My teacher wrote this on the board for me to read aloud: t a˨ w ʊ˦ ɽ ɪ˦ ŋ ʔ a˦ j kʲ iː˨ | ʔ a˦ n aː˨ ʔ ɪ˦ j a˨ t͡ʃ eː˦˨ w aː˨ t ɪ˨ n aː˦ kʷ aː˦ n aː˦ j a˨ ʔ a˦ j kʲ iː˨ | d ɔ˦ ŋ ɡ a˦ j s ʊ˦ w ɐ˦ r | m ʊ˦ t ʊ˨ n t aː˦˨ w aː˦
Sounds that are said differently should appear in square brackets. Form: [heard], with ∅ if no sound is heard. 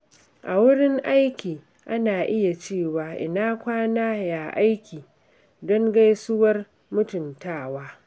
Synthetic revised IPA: [ʔ] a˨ w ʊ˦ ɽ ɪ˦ ŋ ʔ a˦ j kʲ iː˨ | ʔ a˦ n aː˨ ʔ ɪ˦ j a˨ t͡ʃ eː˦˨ w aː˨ [ʔ] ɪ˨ n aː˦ kʷ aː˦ n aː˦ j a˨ ʔ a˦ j kʲ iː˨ | d ɔ˦ ŋ ɡ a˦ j s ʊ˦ w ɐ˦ r | m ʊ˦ t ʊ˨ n t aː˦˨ w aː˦

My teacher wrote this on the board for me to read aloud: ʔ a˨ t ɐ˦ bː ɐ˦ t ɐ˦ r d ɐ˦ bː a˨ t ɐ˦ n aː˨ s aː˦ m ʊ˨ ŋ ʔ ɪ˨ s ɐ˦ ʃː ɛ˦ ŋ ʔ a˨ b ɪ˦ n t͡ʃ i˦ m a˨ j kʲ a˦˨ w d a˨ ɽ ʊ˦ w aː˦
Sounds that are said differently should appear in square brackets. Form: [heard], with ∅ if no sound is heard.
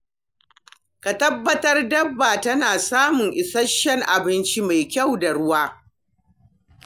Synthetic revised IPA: [k] a˨ t ɐ˦ bː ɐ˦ t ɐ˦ r d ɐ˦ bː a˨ t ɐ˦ n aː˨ s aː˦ m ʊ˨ ŋ ʔ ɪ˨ s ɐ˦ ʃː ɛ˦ ŋ ʔ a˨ b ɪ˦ n t͡ʃ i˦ m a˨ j kʲ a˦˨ w d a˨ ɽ ʊ˦ w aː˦

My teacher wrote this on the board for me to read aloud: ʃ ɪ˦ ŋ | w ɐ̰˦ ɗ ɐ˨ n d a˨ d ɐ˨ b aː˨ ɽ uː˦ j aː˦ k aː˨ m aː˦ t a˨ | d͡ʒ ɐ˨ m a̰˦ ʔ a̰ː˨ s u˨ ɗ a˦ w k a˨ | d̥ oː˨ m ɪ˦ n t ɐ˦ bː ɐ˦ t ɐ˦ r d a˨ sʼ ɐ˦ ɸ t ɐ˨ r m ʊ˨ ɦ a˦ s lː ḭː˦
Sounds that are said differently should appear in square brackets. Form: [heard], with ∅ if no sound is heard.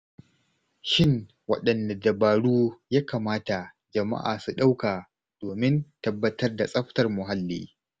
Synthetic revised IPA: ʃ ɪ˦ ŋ | w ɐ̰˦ ɗ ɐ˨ n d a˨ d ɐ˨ b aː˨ ɽ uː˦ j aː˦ k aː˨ m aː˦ t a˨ | d͡ʒ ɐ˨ m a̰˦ ʔ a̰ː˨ s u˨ ɗ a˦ w k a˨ | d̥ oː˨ m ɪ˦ n t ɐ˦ bː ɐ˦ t ɐ˦ r d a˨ sʼ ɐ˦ ɸ t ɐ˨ r m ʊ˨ ɦ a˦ [∅] lː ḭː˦

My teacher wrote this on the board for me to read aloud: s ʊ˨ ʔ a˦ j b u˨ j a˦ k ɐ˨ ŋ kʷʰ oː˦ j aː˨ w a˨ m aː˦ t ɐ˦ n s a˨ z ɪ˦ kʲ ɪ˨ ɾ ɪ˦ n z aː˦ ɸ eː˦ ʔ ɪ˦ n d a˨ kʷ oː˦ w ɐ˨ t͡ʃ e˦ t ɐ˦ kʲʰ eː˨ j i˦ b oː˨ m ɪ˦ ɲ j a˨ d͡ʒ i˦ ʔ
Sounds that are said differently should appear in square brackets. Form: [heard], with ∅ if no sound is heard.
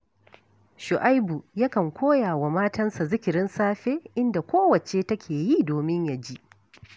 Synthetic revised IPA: [ʃ] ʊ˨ ʔ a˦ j b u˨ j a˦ k ɐ˨ ŋ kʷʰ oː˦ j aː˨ w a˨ m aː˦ t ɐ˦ n s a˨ z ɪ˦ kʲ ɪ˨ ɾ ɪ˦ n [s] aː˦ ɸ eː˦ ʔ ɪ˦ n d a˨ kʷ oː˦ w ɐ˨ t͡ʃ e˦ t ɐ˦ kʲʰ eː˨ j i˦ [d] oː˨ m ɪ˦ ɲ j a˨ d͡ʒ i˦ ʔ

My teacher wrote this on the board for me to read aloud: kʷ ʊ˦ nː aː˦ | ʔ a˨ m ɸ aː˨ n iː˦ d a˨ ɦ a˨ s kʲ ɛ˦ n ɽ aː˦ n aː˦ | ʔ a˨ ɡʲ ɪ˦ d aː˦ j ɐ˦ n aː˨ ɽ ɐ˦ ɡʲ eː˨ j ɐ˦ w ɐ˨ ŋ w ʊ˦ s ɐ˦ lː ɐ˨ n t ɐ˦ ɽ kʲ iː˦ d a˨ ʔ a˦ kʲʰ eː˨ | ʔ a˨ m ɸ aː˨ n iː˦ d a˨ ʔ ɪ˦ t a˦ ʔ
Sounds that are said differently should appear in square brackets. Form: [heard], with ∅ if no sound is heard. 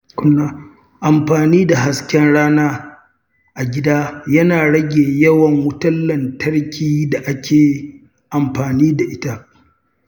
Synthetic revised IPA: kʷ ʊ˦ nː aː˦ | ʔ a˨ m ɸ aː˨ n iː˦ d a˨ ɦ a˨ s kʲ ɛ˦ n ɽ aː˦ n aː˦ | ʔ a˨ ɡʲ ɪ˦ d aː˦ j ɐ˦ n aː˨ ɽ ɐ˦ ɡʲ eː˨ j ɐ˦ w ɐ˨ ŋ w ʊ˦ [t] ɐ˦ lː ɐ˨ n t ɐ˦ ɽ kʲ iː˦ d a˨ ʔ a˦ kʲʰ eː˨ | ʔ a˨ m ɸ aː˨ n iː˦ d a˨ ʔ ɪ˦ t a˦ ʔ

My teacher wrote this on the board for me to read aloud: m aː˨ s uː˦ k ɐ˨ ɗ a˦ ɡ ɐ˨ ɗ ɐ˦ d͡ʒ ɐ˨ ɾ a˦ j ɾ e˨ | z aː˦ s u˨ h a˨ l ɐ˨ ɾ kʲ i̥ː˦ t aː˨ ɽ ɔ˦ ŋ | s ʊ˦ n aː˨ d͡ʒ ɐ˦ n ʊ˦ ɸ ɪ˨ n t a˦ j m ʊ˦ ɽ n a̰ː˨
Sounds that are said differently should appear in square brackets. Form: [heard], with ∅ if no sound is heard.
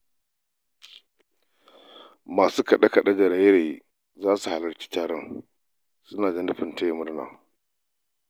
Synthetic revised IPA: m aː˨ s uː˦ k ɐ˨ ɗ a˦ [k] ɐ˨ ɗ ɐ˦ d͡ʒ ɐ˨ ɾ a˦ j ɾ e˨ | z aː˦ s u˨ h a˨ l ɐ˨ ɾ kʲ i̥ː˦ t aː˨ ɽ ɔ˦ ŋ | s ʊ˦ n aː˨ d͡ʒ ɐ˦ n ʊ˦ ɸ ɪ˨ n t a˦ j m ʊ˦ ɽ n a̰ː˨

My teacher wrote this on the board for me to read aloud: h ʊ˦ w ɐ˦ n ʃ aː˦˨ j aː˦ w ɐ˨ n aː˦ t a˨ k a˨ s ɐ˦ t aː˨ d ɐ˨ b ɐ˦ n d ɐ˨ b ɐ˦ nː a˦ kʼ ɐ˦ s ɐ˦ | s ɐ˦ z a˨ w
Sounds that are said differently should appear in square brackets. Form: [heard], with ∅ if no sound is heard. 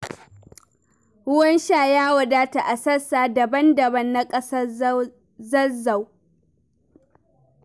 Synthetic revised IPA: h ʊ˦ w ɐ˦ n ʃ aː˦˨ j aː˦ w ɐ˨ [d] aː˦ t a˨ [ʔ] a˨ s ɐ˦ [s] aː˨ d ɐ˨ b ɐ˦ n d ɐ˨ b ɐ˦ nː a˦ kʼ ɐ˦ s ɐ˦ | [z] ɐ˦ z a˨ w

